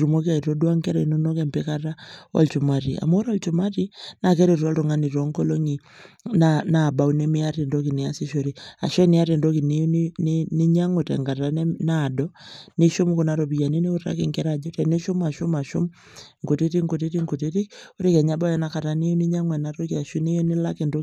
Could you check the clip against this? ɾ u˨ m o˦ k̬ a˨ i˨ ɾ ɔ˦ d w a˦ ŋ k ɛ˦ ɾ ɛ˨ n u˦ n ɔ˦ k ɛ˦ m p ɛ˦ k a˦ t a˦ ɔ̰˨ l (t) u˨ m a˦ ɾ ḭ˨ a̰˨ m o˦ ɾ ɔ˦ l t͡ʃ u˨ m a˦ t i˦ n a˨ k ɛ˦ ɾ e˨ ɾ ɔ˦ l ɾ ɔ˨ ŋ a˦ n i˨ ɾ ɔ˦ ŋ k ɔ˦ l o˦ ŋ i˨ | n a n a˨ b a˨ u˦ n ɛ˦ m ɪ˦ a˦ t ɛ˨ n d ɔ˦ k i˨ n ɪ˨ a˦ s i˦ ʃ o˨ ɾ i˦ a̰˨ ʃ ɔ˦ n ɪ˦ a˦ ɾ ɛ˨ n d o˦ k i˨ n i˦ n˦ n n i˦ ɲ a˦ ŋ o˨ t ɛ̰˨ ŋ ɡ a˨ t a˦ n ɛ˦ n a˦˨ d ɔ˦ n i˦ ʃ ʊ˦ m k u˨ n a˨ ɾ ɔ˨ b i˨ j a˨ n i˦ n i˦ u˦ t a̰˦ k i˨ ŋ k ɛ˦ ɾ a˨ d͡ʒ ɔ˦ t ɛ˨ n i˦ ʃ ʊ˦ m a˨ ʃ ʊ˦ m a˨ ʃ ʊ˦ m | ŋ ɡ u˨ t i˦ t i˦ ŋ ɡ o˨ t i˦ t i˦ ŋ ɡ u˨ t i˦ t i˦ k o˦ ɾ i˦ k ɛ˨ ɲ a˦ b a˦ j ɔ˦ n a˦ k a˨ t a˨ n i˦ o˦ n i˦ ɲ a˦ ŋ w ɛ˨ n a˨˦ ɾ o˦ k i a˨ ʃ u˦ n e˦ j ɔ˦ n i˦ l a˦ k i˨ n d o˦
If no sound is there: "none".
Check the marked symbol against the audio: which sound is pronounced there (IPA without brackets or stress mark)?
t͡ʃ